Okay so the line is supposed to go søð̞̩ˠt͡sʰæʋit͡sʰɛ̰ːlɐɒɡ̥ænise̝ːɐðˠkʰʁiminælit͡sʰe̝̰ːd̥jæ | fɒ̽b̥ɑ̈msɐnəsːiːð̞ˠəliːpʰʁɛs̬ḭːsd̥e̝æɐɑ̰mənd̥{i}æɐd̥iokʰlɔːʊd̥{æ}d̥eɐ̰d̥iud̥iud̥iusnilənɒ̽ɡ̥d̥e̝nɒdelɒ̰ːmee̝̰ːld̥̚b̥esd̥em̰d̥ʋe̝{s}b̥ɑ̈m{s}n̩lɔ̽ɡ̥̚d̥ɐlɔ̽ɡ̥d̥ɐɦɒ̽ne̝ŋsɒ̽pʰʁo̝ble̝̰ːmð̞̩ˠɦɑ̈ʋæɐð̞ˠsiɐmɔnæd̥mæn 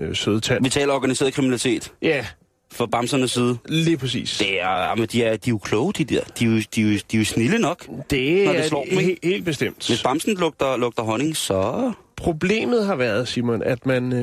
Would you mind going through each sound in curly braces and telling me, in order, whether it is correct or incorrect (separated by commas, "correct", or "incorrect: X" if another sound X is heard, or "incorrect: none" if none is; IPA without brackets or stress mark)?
correct, incorrect: i, correct, correct